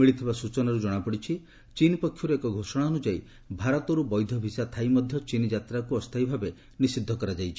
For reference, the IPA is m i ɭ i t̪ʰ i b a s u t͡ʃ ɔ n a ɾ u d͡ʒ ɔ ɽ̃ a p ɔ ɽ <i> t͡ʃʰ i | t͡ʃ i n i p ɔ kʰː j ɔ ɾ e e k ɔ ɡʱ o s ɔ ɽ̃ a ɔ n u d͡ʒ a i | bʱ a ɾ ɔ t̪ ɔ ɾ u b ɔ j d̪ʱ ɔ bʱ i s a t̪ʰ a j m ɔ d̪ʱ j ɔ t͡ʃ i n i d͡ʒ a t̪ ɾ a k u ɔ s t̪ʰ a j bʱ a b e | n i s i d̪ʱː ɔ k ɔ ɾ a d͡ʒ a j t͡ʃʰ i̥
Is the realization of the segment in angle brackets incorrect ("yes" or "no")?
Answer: no